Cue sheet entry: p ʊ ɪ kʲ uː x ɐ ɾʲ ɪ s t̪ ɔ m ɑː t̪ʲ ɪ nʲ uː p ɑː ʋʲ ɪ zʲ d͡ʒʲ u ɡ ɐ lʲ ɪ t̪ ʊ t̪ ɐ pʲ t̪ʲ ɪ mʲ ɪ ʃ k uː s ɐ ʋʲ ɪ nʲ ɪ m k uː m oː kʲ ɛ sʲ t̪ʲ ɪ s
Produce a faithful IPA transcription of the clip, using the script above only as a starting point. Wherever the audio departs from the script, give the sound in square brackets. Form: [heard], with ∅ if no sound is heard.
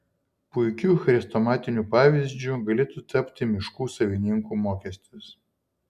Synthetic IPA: p ʊ ɪ kʲ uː x ɐ ɾʲ ɪ s t̪ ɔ m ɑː t̪ʲ ɪ nʲ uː p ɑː ʋʲ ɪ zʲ d͡ʒʲ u ɡ ɐ lʲ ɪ t̪ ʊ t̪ ɐ pʲ t̪ʲ ɪ mʲ ɪ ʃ k uː s ɐ ʋʲ ɪ nʲ ɪ [ŋ] k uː m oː kʲ ɛ sʲ t̪ʲ ɪ s